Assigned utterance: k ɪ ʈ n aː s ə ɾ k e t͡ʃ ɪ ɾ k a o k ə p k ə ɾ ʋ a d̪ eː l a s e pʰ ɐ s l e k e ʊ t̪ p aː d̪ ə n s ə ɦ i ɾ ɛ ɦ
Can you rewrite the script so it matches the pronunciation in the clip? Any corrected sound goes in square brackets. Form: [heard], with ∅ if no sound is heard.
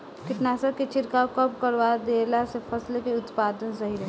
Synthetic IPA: k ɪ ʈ n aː s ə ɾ k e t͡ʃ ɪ ɾ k a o k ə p k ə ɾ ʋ a d̪ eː l a s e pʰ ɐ s l e k e ʊ t̪ p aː d̪ ə n s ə ɦ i ɾ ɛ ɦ